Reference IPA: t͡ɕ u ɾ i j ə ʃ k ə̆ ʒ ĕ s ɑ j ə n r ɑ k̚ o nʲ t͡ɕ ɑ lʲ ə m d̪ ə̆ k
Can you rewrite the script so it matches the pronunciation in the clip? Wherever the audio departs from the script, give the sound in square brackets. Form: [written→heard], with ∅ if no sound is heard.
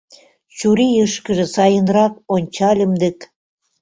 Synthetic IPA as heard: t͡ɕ u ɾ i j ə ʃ k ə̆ ʒ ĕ s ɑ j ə n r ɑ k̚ o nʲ t͡ɕ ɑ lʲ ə m d̪ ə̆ k